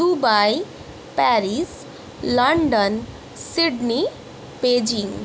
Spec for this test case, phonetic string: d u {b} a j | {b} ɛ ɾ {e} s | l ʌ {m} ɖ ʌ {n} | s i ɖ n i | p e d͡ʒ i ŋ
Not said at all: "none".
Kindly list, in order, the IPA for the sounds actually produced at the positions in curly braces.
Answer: b, p, i, ɳ, n

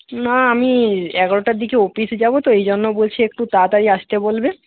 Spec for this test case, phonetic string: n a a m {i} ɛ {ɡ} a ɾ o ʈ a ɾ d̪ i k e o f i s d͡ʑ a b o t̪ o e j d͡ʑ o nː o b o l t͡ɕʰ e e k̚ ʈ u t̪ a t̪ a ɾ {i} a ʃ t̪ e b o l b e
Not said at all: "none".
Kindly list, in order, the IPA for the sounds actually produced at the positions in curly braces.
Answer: i, ɡ, i

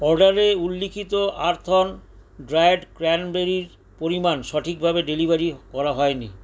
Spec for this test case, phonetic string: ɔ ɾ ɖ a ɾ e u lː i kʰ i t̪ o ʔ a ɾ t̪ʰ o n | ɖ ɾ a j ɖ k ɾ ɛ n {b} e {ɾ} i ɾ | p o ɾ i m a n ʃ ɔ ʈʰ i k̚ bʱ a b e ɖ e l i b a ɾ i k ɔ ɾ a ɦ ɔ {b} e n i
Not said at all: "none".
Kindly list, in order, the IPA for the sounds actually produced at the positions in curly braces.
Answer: b, ɾ, none

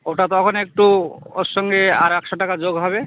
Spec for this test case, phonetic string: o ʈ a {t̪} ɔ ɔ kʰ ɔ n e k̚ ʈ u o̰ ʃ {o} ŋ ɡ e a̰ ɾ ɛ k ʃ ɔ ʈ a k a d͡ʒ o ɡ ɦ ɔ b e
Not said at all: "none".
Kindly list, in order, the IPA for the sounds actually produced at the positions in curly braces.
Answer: t̪, ɔ

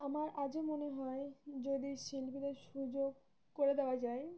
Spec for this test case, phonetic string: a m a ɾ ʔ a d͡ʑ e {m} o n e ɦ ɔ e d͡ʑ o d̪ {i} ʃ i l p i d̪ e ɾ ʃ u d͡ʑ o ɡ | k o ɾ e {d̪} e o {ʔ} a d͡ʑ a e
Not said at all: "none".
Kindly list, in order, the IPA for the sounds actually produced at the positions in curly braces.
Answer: m, i, d̪, none

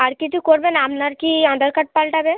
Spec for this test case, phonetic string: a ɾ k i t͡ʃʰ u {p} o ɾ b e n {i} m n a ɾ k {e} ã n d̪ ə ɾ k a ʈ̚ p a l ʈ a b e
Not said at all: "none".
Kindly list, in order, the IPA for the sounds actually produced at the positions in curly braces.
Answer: k, a, i

